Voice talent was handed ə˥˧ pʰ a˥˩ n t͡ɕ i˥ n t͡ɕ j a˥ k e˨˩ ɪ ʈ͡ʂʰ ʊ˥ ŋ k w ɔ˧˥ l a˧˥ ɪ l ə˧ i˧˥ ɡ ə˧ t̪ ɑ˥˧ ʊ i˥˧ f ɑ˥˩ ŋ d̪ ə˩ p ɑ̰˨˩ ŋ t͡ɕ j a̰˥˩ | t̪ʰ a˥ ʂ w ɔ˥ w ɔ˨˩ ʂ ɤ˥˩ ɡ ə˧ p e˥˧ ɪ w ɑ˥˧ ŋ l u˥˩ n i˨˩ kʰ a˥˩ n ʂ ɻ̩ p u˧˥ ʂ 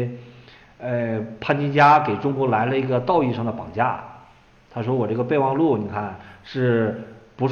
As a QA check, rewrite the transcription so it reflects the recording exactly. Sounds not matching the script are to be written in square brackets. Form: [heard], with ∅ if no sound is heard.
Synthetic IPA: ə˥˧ pʰ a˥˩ n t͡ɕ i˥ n t͡ɕ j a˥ k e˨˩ ɪ [ʈ͡ʂ] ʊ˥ ŋ k w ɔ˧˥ l a˧˥ ɪ l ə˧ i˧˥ ɡ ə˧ t̪ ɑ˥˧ ʊ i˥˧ [ʂ] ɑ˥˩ ŋ d̪ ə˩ p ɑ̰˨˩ ŋ t͡ɕ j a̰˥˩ | t̪ʰ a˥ ʂ w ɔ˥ w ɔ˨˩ [ʈ͡ʂ] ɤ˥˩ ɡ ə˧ p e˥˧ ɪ w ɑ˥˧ ŋ l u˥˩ n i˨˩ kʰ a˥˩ n ʂ ɻ̩ p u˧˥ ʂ